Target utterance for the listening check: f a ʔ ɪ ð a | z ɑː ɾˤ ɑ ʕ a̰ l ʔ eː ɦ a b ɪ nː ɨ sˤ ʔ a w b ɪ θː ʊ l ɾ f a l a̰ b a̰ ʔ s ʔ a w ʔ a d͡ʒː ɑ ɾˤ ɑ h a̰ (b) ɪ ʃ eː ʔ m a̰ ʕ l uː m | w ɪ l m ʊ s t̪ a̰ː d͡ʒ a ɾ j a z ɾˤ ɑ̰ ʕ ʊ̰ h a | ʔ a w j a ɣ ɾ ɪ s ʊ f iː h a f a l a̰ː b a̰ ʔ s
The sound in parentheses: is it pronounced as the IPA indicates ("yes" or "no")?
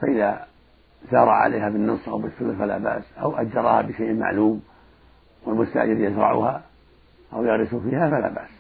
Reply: yes